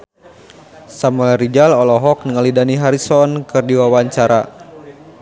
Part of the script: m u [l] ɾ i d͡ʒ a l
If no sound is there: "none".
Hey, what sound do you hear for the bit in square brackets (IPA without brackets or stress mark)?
l